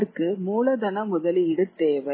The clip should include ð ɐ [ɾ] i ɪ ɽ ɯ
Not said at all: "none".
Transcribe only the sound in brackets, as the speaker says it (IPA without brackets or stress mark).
l